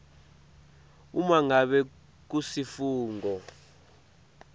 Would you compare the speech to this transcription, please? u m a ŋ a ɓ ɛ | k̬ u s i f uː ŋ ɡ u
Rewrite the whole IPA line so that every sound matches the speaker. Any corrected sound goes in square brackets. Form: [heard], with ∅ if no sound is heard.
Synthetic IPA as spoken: u m a ŋ a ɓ ɛ | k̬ u s i f uː ŋ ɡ [ɔ]